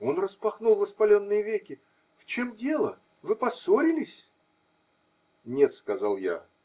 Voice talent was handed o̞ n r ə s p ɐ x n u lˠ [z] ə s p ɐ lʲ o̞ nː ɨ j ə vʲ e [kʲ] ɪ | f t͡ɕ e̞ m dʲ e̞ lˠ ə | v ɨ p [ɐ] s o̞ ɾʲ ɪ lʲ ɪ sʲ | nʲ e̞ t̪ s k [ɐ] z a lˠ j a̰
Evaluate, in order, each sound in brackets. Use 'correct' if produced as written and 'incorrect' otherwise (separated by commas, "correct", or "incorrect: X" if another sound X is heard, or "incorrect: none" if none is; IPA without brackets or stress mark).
incorrect: v, correct, correct, correct